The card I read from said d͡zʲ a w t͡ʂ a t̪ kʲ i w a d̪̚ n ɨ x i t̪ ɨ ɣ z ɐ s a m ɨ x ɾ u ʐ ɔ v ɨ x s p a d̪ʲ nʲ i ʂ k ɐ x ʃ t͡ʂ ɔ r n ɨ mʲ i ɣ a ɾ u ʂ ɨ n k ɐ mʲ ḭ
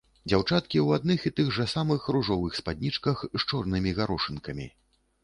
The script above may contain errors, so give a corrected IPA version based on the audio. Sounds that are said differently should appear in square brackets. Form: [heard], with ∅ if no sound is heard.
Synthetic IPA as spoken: d͡zʲ a w t͡ʂ a t̪ kʲ i w a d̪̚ n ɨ x i t̪ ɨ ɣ [ʐ] ɐ s a m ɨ x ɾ u ʐ ɔ v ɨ x s p a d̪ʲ nʲ i [t͡ʂ] k ɐ x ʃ t͡ʂ ɔ r n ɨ mʲ i ɣ a ɾ [ɔ] ʂ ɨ n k ɐ mʲ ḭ